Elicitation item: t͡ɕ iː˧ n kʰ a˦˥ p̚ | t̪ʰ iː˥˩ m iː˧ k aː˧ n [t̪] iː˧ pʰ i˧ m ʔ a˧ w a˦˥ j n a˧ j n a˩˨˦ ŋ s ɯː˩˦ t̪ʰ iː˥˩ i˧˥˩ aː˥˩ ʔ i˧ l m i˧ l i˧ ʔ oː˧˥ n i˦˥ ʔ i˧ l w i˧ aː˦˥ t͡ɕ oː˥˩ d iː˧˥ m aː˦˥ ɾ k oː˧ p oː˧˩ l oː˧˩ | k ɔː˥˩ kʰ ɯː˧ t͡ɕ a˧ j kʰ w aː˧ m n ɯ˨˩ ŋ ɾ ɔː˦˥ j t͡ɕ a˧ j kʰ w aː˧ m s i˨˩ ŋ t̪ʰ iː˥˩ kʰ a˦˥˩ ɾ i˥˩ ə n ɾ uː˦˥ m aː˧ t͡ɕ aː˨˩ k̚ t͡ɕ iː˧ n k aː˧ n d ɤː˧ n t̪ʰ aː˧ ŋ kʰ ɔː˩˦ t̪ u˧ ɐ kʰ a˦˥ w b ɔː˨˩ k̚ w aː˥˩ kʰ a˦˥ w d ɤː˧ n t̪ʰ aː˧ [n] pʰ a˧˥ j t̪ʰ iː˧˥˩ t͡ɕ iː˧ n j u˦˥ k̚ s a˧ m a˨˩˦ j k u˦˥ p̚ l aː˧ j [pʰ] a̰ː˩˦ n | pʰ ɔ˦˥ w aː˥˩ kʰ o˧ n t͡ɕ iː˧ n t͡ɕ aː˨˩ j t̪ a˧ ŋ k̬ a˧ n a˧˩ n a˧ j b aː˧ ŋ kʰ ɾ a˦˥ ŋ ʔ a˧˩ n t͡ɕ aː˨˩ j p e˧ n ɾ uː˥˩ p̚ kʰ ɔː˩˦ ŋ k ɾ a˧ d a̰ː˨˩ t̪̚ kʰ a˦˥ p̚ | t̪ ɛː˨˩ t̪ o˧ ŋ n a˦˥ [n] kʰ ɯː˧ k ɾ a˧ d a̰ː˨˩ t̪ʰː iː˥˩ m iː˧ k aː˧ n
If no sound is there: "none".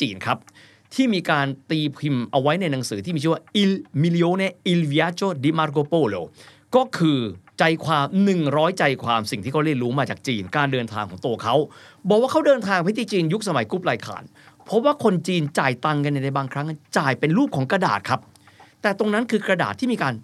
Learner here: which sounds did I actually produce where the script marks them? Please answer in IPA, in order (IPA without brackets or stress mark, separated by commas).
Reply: t̪, ŋ, kʰ, n